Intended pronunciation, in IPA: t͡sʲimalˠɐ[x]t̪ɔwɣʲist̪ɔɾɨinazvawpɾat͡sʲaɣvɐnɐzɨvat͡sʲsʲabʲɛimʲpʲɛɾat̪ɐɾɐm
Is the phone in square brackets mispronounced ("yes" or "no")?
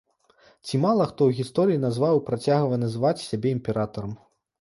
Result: no